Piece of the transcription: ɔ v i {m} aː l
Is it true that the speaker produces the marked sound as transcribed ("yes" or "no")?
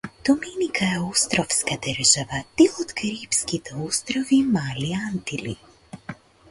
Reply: yes